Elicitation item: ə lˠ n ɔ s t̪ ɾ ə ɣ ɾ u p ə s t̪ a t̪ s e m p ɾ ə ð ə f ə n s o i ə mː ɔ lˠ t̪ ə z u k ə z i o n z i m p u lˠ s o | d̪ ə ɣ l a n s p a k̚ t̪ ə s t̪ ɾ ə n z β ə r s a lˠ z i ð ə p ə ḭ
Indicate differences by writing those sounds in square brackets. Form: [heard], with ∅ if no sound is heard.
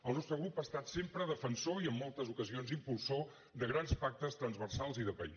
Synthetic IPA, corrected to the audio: ə lˠ n ɔ s t̪ ɾ ə ɣ ɾ u p [a] s t̪ a t̪ s e m p ɾ ə ð ə f ə n s o i ə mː ɔ lˠ t̪ ə z u k ə z i o n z i m p u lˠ s o | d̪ ə ɣ [ɾ] a n s p a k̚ t̪ ə s t̪ ɾ ə n z β ə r s a lˠ z i ð ə p ə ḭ